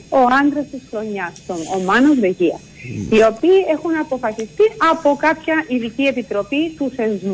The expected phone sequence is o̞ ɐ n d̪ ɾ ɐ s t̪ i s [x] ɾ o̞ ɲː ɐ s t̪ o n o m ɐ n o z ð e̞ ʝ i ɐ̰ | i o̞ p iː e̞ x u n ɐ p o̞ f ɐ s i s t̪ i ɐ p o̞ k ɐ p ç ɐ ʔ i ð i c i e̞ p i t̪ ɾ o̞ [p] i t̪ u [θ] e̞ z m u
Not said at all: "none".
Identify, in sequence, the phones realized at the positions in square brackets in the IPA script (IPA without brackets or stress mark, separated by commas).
x, p, θ